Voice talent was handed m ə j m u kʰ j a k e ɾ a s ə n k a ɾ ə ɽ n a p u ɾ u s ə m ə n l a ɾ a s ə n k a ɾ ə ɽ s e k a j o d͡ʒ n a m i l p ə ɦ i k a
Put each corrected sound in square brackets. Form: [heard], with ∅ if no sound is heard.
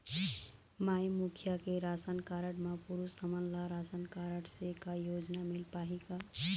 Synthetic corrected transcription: m [a] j m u kʰ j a k e ɾ a s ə n k a ɾ ə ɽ [m] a p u ɾ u s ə m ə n l a ɾ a s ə n k a ɾ ə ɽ s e k a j o d͡ʒ n a m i l p [a] ɦ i k a